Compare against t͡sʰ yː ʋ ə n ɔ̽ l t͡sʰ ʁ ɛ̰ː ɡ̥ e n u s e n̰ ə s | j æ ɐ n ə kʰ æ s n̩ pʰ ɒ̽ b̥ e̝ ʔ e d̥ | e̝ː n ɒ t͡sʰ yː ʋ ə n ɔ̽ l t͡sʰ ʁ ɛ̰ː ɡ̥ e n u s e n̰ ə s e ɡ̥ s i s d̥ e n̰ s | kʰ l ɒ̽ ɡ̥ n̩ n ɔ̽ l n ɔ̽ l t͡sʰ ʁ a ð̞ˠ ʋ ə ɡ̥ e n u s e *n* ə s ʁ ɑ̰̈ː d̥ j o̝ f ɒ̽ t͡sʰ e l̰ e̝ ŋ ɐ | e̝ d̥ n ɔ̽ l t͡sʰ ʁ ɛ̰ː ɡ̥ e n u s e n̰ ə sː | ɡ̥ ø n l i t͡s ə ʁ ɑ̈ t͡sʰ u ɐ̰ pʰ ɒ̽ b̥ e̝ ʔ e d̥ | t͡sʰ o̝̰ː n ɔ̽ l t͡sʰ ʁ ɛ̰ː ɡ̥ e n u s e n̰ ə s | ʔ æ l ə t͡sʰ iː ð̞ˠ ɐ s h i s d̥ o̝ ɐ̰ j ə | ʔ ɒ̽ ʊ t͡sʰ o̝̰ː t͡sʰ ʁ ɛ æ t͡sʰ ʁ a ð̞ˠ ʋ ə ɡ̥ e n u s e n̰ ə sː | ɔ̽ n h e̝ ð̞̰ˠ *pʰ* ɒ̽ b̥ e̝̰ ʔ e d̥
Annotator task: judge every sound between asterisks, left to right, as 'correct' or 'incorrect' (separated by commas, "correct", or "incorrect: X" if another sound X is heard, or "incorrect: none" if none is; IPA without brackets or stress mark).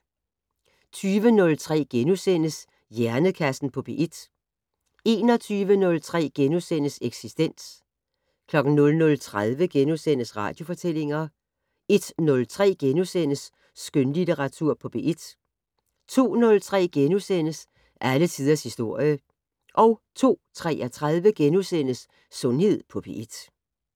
correct, correct